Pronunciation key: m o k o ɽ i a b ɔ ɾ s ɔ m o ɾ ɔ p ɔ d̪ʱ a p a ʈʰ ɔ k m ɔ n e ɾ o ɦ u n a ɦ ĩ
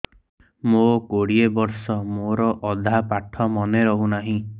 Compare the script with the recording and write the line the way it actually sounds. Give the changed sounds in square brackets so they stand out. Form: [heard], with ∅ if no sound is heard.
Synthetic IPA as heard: m o k o ɽ i [e] b ɔ ɾ s ɔ m o ɾ ɔ [ʔ] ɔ d̪ʱ a p a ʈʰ ɔ [∅] m ɔ n e ɾ [ɔ] ɦ u n a ɦ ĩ